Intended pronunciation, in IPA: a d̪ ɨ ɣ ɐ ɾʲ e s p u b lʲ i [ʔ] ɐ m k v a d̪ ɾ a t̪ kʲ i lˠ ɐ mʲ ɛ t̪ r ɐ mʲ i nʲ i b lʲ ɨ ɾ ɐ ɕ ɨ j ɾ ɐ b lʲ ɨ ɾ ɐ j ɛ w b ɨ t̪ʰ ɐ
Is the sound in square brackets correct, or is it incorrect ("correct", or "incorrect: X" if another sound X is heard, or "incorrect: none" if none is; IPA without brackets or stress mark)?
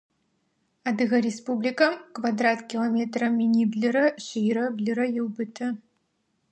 incorrect: k